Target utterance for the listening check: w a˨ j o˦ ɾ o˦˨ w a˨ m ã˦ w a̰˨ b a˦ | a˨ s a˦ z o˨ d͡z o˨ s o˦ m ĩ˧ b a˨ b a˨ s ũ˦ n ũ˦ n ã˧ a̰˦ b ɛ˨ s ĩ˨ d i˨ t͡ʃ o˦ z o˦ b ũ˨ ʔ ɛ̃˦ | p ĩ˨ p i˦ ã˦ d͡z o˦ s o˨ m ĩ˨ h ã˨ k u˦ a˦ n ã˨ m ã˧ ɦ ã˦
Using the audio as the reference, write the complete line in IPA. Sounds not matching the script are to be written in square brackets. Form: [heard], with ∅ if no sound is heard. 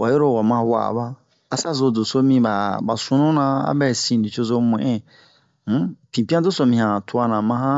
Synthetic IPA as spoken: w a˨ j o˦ ɾ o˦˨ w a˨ m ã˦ w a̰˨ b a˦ | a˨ s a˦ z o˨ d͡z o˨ s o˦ m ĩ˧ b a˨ b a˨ s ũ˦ n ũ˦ n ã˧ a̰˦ b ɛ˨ s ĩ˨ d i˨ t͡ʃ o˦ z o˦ [m] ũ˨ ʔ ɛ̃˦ | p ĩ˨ p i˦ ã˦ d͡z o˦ s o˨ m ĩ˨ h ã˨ [t] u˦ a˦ n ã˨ m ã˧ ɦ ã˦